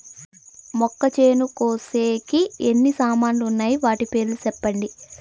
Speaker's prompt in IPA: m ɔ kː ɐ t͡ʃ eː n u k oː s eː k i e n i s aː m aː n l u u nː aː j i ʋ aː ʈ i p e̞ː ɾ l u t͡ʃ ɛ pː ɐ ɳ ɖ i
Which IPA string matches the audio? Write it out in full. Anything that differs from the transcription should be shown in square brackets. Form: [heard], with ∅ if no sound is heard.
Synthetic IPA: m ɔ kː ɐ t͡ʃ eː n u k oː s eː k i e [nː] i s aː m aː n l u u nː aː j i ʋ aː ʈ i p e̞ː ɾ l u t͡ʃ ɛ pː ɐ ɳ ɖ i